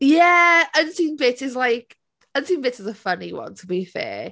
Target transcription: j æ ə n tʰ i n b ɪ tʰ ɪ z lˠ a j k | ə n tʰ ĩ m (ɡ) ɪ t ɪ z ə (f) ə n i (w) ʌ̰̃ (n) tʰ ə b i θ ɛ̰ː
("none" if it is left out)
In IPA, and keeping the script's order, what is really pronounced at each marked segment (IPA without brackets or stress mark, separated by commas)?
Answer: b, f, w, n